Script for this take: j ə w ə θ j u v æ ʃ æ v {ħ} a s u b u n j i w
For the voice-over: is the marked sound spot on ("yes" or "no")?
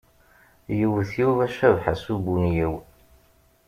yes